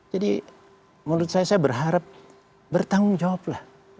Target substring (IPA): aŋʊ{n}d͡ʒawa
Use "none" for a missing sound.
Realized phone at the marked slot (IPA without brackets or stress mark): ŋ